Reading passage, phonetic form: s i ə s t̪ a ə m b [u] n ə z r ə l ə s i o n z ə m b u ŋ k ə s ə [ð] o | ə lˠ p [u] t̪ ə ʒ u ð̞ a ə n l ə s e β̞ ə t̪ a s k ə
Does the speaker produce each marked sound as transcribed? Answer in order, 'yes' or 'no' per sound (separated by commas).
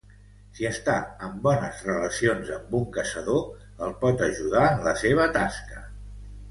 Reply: no, yes, no